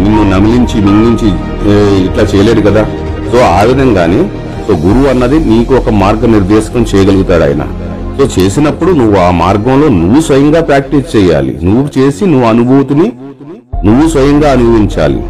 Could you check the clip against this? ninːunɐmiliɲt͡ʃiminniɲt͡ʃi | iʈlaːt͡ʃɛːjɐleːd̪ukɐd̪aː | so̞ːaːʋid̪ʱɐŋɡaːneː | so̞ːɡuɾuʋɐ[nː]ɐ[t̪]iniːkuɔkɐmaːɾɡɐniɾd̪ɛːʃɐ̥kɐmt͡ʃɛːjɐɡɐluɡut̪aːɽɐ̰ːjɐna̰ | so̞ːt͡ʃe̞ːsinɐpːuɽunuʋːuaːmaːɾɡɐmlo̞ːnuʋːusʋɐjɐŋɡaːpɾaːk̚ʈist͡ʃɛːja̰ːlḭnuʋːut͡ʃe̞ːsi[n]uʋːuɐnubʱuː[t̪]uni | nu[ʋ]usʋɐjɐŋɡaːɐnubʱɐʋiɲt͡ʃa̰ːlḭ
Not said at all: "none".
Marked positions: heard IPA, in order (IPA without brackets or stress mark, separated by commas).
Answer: nː, d̪, n, t̪, ʋː